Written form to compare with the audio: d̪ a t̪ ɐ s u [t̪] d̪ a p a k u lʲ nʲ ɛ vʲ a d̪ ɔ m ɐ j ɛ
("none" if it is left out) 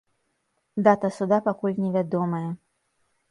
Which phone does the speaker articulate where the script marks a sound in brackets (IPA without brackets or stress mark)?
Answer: none